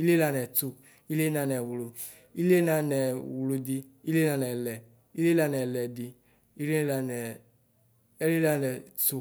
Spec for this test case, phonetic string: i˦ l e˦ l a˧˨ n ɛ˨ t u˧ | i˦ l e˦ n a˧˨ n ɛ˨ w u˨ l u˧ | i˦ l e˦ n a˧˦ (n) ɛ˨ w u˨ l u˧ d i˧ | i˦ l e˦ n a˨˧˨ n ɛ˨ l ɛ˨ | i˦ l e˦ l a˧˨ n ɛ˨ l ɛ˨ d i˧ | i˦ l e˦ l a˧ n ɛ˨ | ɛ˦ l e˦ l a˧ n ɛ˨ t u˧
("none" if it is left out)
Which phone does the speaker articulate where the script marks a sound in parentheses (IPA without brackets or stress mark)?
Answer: n